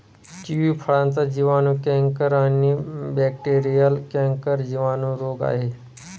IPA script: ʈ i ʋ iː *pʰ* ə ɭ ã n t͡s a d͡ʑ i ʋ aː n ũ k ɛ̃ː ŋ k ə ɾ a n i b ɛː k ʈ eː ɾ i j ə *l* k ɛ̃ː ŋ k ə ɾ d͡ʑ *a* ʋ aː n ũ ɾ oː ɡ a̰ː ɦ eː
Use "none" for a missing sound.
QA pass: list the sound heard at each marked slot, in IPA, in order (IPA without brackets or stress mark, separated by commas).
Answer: pʰ, l, i